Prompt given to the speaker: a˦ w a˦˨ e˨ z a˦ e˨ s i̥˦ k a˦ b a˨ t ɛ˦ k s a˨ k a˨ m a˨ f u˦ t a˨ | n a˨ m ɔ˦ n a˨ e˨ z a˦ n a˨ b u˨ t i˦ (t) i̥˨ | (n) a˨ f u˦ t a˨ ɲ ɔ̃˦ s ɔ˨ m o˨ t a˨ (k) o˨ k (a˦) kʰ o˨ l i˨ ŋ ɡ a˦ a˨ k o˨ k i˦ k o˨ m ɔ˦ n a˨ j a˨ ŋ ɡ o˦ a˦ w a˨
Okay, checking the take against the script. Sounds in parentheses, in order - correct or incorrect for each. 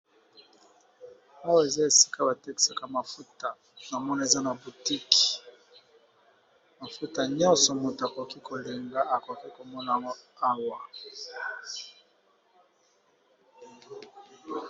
incorrect: k, incorrect: m, correct, incorrect: i˦

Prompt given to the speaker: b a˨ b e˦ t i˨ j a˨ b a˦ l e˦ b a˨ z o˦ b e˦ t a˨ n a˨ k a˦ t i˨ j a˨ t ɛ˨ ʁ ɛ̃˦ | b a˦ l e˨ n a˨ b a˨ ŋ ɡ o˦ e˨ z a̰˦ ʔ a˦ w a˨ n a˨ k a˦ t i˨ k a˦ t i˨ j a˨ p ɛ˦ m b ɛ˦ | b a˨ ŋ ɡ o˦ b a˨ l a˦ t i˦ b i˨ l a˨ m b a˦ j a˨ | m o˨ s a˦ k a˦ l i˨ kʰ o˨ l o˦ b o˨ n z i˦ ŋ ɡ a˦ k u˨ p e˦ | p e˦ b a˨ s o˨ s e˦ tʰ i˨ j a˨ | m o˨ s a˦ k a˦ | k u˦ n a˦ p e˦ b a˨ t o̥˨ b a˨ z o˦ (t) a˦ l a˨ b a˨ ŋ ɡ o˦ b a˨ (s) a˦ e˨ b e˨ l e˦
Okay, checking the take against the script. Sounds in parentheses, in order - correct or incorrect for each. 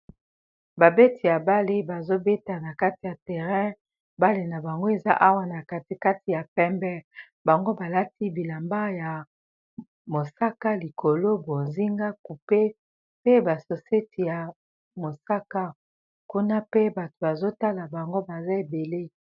correct, incorrect: z

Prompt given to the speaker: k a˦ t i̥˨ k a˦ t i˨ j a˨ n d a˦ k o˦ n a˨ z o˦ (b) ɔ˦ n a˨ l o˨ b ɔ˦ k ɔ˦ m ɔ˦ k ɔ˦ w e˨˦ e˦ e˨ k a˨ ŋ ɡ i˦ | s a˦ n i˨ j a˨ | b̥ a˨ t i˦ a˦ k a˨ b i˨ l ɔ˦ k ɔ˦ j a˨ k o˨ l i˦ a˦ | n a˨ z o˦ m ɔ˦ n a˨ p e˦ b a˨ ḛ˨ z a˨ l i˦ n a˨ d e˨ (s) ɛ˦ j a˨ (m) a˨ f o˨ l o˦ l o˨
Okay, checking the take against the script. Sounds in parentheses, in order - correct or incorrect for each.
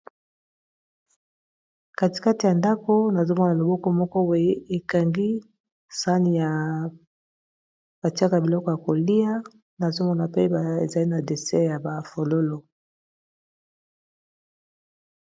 incorrect: m, correct, incorrect: b

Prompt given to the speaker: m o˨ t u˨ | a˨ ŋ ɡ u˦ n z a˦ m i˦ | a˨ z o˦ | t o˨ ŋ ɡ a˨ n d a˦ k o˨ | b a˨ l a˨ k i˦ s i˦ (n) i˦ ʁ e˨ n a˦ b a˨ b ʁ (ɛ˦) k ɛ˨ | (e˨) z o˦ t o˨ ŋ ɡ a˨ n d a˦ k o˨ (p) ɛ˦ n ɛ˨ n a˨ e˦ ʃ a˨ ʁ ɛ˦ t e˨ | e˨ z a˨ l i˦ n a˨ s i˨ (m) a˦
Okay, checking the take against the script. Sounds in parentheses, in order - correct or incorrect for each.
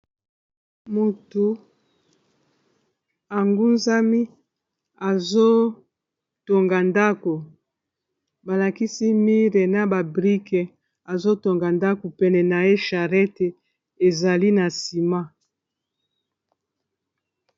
incorrect: m, incorrect: i˦, incorrect: a˨, correct, correct

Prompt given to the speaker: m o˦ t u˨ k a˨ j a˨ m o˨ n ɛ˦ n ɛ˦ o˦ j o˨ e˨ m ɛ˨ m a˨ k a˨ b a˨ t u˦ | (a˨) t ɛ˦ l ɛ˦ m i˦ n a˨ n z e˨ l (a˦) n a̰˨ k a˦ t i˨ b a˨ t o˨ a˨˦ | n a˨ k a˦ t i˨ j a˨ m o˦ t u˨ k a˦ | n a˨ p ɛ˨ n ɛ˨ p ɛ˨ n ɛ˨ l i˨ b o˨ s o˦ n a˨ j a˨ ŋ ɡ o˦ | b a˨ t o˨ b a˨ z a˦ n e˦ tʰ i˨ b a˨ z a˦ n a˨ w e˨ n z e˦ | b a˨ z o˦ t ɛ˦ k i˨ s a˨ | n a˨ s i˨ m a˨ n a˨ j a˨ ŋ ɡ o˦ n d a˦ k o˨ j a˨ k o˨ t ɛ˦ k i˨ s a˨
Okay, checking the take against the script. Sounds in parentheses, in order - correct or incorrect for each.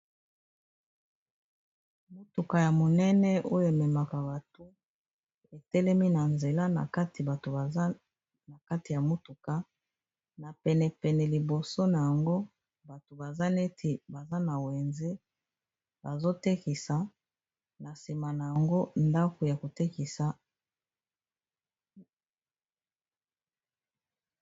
incorrect: e˨, correct

